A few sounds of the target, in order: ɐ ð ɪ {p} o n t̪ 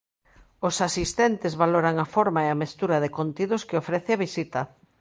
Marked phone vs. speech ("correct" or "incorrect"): incorrect